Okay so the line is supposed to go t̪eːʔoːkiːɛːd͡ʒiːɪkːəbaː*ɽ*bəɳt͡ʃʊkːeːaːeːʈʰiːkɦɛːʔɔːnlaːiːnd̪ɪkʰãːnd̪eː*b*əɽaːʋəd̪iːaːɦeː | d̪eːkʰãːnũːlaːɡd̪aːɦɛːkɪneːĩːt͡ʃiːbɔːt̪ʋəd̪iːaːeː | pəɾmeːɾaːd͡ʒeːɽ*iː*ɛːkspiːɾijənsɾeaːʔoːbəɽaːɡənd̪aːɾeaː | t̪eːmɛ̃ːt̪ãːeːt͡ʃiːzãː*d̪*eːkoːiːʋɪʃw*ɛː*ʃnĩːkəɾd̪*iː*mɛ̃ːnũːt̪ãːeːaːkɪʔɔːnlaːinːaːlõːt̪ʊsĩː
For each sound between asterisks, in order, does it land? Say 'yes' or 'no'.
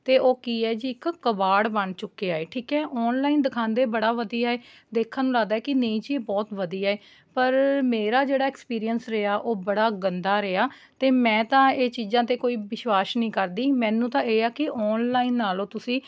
yes, yes, no, no, no, yes

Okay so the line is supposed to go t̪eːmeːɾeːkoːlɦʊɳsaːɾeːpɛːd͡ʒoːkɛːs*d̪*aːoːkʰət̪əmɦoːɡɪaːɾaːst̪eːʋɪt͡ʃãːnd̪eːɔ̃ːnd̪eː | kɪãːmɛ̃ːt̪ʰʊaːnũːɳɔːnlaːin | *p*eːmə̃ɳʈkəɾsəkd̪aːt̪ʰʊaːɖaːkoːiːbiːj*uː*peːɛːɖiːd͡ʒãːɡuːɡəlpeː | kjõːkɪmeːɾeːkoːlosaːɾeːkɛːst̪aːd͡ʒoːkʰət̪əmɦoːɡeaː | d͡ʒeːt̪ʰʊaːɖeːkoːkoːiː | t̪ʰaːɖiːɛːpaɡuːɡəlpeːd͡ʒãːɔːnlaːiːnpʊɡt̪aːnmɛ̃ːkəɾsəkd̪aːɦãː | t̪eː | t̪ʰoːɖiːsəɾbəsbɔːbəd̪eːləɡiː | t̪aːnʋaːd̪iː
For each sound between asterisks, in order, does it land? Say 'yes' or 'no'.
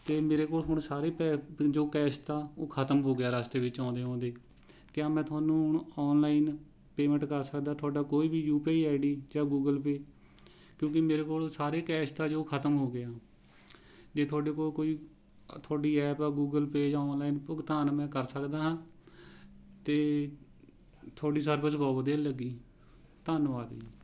no, yes, yes

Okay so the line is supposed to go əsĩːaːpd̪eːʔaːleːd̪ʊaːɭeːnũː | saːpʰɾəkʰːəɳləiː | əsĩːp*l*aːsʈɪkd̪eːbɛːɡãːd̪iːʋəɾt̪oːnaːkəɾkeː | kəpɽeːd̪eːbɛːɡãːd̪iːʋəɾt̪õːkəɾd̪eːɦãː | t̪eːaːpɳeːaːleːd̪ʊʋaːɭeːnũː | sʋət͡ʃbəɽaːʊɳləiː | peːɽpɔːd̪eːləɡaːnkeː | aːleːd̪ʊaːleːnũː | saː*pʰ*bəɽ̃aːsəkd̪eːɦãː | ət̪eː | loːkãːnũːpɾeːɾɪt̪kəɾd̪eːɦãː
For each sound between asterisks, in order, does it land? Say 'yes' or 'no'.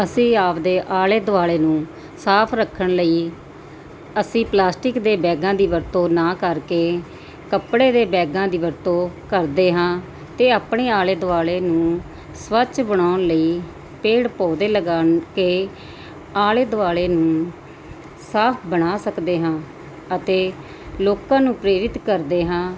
yes, yes

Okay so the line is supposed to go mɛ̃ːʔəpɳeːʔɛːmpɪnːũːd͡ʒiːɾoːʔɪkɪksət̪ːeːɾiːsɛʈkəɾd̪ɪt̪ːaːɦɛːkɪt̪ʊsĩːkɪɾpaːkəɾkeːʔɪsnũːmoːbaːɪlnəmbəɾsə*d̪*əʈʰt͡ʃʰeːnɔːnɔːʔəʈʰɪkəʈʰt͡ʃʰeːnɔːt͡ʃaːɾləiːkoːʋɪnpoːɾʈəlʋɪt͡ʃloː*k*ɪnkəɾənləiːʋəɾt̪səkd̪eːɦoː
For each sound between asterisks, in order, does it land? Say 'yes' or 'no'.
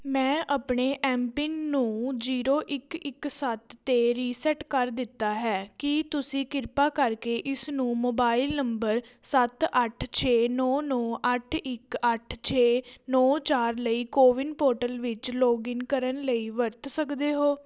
no, no

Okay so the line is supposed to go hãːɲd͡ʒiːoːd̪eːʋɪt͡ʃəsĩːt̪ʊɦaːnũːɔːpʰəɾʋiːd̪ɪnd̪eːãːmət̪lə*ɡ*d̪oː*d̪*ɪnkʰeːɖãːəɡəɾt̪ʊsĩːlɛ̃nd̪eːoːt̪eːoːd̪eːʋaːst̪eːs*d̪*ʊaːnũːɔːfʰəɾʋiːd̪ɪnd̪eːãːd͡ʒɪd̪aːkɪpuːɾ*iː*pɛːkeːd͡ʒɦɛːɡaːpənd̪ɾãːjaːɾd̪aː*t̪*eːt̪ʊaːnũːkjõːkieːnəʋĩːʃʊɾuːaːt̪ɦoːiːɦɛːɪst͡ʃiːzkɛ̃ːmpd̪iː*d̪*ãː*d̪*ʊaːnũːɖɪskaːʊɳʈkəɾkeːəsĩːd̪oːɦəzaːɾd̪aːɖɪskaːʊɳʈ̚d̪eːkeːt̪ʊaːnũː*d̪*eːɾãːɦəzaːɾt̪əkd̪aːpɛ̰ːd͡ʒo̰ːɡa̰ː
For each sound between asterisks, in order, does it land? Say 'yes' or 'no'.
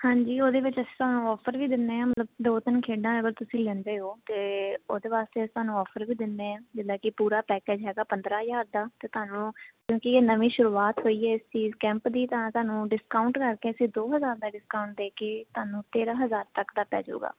no, no, no, no, yes, no, no, no

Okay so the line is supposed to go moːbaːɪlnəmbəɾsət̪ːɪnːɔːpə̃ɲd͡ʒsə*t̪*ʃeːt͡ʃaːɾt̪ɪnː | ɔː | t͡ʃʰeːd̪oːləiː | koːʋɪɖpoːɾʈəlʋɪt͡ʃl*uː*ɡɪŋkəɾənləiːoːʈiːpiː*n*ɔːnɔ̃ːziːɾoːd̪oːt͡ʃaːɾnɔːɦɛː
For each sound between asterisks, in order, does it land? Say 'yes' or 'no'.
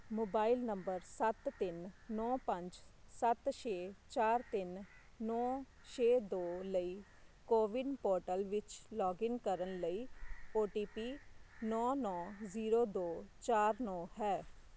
yes, no, yes

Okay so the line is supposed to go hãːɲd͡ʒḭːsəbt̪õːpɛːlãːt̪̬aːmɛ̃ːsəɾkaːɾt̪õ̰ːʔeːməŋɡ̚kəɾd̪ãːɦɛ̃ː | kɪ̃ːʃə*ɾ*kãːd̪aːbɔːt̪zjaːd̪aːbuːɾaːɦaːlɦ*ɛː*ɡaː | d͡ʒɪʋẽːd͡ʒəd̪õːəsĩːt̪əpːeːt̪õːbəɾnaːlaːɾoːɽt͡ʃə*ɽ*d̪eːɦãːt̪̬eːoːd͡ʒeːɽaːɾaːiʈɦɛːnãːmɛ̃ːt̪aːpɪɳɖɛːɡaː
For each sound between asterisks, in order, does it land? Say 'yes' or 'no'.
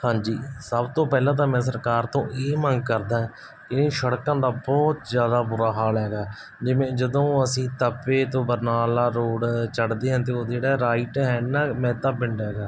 no, yes, yes

